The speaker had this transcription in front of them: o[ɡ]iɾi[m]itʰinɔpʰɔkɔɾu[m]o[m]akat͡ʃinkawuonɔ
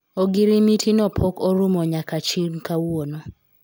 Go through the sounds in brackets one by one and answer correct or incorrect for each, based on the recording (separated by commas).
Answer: correct, correct, correct, incorrect